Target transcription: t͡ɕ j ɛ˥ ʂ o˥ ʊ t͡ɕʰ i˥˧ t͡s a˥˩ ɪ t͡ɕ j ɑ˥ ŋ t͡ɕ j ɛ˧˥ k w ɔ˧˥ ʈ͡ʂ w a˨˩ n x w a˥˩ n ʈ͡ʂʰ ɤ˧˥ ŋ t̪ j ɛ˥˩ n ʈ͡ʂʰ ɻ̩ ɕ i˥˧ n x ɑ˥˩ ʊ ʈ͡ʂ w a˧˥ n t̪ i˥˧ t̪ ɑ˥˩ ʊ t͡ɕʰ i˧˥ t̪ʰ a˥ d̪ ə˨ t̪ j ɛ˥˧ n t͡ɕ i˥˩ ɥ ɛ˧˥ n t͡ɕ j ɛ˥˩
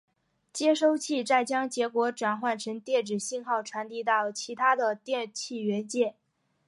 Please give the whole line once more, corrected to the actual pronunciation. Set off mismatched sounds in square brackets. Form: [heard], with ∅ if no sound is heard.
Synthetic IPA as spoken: t͡ɕ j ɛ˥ ʂ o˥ ʊ t͡ɕʰ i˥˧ t͡s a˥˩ ɪ t͡ɕ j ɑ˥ ŋ t͡ɕ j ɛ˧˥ k w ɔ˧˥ ʈ͡ʂ w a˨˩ n x w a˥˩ n ʈ͡ʂʰ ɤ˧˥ ŋ t̪ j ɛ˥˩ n [ʈ͡ʂ] ɻ̩ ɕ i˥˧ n x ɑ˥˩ ʊ [ʈ͡ʂʰ] w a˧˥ n t̪ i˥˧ t̪ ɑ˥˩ ʊ t͡ɕʰ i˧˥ t̪ʰ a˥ d̪ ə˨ t̪ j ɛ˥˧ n [t͡ɕʰ] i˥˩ ɥ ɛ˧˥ n t͡ɕ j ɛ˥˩